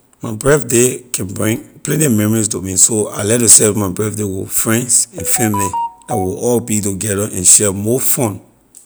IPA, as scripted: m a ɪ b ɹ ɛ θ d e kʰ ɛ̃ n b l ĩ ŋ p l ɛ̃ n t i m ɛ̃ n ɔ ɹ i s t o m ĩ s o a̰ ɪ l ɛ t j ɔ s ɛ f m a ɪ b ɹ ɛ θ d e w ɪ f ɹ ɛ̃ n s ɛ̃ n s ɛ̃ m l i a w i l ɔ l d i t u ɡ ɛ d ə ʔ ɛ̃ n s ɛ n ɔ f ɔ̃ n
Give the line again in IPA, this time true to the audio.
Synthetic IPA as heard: m a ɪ b ɹ ɛ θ d e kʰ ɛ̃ n b ɹ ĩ ŋ p l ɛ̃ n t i m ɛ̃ m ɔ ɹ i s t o m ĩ s o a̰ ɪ l ɛ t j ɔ s ɛ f m a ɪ b ɹ ɛ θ d e w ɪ f ɹ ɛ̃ n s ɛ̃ n f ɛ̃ m l i a w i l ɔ l b i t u ɡ ɛ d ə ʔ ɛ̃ n ʃ ɛ m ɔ f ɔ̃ n